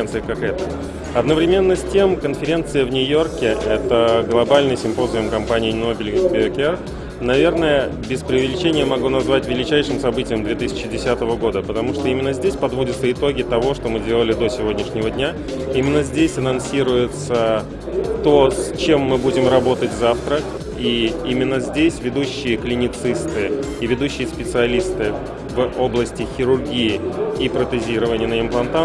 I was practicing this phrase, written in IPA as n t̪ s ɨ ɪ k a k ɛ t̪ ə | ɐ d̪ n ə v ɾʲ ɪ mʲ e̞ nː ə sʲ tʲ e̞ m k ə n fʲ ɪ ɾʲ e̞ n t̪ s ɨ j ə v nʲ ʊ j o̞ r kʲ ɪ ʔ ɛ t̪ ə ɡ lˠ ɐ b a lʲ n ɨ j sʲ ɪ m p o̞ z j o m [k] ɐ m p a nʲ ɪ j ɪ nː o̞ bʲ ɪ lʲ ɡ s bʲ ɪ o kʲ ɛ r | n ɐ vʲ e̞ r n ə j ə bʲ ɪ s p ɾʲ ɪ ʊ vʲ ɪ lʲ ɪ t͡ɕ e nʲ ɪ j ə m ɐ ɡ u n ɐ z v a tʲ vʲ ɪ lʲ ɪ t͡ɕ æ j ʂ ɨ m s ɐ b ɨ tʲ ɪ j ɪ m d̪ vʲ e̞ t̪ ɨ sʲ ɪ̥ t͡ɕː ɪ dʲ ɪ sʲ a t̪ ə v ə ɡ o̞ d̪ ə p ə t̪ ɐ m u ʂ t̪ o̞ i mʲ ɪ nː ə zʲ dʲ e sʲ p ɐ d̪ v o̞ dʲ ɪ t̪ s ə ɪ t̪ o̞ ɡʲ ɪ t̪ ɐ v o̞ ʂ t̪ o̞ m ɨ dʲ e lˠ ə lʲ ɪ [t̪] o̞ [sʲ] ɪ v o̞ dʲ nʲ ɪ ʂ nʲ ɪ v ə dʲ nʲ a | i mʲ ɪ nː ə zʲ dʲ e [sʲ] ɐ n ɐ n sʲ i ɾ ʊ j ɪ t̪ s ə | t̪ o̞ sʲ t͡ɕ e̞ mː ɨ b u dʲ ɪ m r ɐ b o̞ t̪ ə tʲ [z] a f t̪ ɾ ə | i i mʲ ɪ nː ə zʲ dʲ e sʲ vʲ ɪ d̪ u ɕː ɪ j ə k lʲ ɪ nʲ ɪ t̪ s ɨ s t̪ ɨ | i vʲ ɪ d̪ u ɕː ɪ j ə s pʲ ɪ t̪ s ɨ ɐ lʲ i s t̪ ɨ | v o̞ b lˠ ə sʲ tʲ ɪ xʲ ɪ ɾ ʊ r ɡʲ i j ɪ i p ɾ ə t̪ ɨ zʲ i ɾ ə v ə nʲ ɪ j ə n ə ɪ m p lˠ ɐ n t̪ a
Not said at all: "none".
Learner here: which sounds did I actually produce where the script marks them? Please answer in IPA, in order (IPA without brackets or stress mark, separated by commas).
k, d̪, sʲ, sʲ, z